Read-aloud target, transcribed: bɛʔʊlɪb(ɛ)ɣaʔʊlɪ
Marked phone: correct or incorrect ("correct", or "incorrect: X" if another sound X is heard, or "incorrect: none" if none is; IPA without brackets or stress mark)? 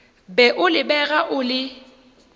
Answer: correct